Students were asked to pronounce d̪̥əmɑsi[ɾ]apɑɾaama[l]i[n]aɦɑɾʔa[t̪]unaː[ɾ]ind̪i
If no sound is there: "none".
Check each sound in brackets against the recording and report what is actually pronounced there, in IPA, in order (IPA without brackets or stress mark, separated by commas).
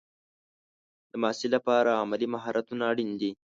l, l, m, t̪, ɽ